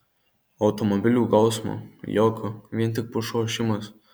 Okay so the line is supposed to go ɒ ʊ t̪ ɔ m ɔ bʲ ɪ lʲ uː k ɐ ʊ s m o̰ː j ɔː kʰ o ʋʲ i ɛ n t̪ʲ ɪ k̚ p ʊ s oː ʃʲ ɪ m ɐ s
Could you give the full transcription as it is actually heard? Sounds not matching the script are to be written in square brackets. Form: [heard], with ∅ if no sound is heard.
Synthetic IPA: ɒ ʊ t̪ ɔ m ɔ bʲ ɪ lʲ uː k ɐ ʊ s m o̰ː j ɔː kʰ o ʋʲ i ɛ n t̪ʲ ɪ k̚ p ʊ [ʃ] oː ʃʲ ɪ m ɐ s